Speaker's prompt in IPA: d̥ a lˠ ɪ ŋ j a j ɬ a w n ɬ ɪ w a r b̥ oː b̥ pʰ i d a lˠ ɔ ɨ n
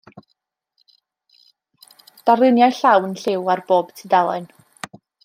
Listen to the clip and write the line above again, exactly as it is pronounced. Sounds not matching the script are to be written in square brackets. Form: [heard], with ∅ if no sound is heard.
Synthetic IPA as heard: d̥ a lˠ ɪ [n] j a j ɬ a w n ɬ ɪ w a r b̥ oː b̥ [tʰ] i d a lˠ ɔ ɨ n